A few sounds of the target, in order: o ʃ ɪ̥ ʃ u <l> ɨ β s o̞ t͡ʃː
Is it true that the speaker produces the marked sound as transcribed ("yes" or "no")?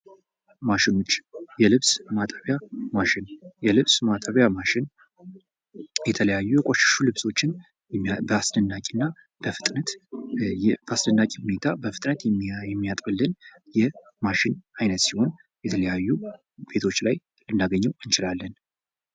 yes